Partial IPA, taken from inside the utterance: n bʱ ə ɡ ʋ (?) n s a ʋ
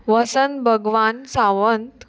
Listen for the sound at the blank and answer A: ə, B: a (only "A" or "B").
B